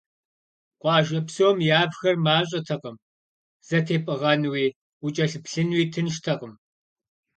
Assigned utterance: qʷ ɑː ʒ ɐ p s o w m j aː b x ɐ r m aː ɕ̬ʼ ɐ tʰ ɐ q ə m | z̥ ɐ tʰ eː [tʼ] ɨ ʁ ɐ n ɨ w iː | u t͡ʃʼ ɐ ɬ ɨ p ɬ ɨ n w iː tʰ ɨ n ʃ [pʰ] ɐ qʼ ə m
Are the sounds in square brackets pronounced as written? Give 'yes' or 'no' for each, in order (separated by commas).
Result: no, no